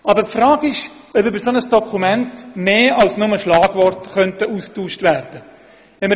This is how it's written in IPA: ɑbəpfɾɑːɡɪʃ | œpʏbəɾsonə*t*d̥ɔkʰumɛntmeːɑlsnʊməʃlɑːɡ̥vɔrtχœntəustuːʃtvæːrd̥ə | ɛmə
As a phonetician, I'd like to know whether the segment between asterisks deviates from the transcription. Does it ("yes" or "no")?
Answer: yes